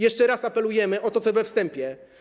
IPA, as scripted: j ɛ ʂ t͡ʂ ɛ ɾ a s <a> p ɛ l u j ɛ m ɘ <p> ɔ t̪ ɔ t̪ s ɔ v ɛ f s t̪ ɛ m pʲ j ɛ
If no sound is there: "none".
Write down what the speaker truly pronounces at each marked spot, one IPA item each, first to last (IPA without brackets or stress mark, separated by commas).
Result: a, ʔ